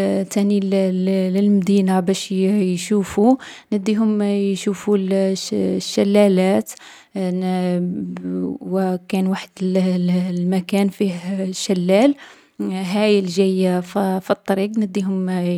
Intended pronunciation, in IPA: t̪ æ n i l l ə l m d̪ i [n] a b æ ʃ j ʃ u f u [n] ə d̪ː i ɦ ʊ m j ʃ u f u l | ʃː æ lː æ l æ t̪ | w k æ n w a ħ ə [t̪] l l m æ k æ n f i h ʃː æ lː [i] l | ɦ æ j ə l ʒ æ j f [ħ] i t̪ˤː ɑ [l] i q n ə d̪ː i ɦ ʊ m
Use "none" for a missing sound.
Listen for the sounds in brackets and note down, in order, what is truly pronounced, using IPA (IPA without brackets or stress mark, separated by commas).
n, n, d̪, æ, f, ɾ